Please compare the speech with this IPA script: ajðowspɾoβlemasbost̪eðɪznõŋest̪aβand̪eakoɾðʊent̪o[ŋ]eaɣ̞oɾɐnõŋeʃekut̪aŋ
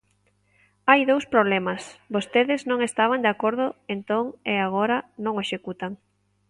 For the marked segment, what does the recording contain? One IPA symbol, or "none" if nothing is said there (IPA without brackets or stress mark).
ŋ